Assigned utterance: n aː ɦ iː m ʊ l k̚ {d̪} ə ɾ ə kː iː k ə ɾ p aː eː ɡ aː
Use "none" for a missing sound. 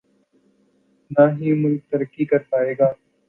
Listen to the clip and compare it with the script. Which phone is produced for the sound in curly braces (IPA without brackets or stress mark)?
t̪